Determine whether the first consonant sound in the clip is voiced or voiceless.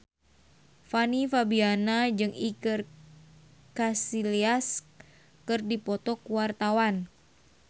voiceless